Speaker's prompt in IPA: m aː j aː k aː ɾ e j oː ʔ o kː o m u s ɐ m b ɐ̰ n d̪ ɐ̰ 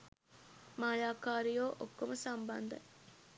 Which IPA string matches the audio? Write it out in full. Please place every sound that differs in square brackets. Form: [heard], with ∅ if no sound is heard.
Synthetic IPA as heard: m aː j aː k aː ɾ [i] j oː ʔ o kː o m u s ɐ m b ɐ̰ n d̪ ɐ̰